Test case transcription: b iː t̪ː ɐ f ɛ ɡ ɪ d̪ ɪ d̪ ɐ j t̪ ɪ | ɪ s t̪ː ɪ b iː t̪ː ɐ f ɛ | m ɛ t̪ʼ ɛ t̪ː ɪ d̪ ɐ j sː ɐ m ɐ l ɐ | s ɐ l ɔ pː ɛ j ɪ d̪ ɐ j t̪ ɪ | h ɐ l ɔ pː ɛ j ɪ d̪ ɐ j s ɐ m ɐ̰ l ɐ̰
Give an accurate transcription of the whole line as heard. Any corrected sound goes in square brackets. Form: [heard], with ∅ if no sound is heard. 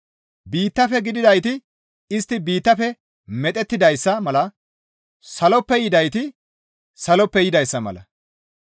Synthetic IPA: b iː t̪ː ɐ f ɛ ɡ ɪ d̪ ɪ d̪ ɐ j t̪ ɪ | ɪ s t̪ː ɪ b iː t̪ː ɐ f ɛ | m ɛ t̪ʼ ɛ t̪ː ɪ d̪ ɐ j sː ɐ m ɐ l ɐ | s ɐ l ɔ pː ɛ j ɪ d̪ ɐ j t̪ ɪ | [s] ɐ l ɔ pː ɛ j ɪ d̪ ɐ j [sː] ɐ m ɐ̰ l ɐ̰